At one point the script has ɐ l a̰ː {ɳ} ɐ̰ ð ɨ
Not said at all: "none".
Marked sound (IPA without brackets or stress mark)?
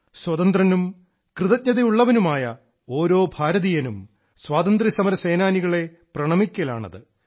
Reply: ɳ